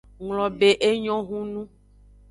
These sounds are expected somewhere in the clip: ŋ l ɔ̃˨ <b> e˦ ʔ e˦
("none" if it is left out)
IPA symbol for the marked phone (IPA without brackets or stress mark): b